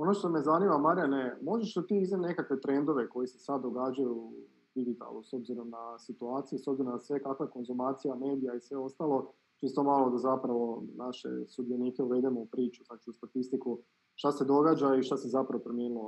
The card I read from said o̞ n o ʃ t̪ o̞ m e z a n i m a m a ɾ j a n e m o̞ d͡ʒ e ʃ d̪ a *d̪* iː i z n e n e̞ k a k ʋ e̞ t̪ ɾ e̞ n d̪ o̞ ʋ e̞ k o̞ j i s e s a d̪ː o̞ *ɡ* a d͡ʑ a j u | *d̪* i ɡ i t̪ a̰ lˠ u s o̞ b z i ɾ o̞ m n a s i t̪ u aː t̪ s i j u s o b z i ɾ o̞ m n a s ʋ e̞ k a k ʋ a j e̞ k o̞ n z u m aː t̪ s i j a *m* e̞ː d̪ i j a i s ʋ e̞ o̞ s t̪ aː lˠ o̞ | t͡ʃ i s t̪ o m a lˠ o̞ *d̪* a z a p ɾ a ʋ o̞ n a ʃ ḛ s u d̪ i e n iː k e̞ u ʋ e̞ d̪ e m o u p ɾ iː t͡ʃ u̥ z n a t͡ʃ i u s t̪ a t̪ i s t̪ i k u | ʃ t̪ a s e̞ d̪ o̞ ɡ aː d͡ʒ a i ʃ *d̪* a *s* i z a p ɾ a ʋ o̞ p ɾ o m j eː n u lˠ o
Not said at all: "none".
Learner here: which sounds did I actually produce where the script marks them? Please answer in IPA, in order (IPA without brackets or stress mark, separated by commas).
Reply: t̪, ɡ, d̪, m, d̪, t̪, s